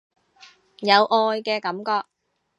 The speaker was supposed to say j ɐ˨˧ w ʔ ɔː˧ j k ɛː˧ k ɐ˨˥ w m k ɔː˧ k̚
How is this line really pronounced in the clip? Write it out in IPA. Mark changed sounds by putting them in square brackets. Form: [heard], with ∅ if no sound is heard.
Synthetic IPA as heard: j ɐ˨˧ w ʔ ɔː˧ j k ɛː˧ k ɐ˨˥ [∅] m k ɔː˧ k̚

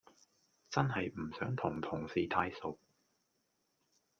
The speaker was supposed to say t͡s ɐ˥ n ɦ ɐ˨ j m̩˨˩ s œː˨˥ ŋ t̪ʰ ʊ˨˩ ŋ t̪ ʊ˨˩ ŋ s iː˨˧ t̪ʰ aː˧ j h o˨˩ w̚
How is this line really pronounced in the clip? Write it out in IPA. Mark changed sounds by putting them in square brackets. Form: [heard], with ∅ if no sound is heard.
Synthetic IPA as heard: t͡s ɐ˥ n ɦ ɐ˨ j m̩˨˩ s œː˨˥ ŋ t̪ʰ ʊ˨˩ ŋ [t̪ʰ] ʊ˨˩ ŋ s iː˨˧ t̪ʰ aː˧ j [s] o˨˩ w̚

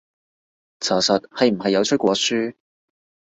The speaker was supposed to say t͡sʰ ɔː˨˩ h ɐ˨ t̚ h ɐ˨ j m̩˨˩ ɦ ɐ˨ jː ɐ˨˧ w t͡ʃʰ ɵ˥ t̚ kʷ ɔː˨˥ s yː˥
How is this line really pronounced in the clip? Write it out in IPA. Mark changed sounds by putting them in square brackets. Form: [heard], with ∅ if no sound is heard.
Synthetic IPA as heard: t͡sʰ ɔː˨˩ [s] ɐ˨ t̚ h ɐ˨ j m̩˨˩ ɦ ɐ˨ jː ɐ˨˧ w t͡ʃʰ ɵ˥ t̚ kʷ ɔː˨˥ s yː˥

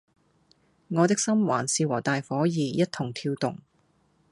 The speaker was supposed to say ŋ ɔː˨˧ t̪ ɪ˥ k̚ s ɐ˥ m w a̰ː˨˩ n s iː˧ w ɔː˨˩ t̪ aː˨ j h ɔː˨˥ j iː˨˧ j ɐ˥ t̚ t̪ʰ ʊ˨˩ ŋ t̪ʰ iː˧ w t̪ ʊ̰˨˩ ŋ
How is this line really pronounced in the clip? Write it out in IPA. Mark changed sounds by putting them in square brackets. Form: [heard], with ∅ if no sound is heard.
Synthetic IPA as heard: ŋ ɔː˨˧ t̪ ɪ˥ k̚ s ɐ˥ m w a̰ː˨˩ n s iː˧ w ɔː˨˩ t̪ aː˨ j [f] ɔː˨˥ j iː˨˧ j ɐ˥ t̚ t̪ʰ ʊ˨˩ ŋ t̪ʰ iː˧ w t̪ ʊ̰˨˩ ŋ

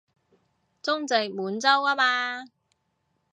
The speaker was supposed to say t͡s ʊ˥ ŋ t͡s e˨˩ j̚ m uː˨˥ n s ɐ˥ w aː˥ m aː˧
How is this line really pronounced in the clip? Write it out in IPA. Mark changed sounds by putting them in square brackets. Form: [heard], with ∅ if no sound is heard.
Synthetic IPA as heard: t͡s ʊ˥ ŋ t͡s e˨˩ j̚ m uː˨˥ n [t͡s] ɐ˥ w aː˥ m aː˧

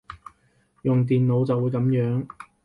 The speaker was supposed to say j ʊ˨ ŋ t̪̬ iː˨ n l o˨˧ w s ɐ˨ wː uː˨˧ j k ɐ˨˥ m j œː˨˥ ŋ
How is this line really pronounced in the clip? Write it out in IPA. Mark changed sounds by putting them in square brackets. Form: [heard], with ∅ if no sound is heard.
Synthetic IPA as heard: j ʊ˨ ŋ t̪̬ iː˨ n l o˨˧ w [t͡s] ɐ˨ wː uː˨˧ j k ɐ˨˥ m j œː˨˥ ŋ

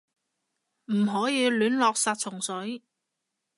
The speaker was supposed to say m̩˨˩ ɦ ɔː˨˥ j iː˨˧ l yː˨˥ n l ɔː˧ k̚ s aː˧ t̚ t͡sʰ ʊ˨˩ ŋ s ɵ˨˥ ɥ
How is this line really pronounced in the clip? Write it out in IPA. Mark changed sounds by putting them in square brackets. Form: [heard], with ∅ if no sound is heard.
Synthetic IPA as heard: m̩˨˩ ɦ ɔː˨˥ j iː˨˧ l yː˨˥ n l ɔː˧ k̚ s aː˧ t̚ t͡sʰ ʊ˨˩ ŋ s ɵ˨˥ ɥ

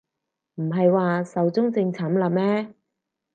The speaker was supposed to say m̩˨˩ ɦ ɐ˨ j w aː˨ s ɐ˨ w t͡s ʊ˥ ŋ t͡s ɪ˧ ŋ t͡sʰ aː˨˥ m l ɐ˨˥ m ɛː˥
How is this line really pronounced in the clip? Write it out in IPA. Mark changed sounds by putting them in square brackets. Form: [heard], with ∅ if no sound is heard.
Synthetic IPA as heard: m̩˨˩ ɦ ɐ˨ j w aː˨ s ɐ˨ w t͡s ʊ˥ ŋ t͡s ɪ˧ ŋ t͡sʰ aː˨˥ m l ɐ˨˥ m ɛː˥

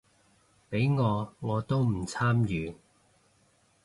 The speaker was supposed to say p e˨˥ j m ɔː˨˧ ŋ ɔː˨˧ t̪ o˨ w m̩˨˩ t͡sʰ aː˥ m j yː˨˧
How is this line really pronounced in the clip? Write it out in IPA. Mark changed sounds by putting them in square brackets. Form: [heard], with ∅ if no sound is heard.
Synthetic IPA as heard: p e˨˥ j [ŋ] ɔː˨˧ ŋ ɔː˨˧ t̪ [o˥] w m̩˨˩ t͡sʰ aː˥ m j yː˨˧

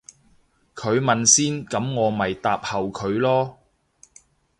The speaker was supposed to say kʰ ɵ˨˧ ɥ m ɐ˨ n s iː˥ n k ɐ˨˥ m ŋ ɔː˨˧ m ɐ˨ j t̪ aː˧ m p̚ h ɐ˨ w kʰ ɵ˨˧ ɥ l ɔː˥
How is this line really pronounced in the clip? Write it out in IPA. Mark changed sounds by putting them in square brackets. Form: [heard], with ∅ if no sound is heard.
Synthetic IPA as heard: kʰ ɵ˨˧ ɥ m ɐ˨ n s iː˥ n k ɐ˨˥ m ŋ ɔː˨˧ m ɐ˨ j t̪ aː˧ [∅] p̚ h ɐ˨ w kʰ ɵ˨˧ ɥ l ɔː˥

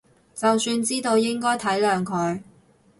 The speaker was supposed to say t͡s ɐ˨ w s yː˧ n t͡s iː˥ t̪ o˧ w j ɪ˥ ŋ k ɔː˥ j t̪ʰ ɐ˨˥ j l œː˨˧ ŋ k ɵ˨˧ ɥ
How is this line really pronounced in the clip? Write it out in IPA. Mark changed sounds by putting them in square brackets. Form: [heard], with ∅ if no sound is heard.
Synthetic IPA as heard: t͡s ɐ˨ w s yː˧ n t͡s iː˥ t̪ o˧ w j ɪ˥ ŋ k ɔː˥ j t̪ʰ ɐ˨˥ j l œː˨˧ ŋ [kʰ] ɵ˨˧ ɥ

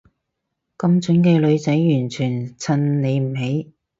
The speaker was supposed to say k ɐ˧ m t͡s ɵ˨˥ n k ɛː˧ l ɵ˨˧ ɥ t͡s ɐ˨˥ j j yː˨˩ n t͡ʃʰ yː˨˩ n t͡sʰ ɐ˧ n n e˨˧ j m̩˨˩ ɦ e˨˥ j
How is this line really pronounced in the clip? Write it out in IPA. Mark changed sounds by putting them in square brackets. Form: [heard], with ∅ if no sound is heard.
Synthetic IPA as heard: k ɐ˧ m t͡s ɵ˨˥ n k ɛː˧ l ɵ˨˧ ɥ t͡s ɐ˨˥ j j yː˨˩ n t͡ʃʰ yː˨˩ n t͡sʰ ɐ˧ n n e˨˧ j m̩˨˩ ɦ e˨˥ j

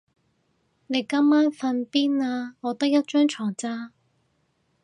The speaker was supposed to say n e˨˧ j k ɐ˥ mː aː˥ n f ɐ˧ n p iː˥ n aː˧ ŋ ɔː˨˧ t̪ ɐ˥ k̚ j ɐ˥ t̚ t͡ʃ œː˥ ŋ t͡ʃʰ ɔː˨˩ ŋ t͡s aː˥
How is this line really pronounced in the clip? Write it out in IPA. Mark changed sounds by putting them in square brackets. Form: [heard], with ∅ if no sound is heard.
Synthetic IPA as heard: n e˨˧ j k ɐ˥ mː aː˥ n f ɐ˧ n p iː˥ n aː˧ ŋ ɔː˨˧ t̪ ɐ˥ k̚ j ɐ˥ t̚ t͡ʃ œː˥ ŋ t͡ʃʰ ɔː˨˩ ŋ t͡s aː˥

